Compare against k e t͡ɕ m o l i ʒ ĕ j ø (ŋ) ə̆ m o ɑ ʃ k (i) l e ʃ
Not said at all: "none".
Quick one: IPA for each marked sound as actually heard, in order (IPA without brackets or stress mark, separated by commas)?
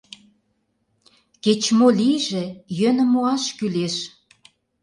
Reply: n, y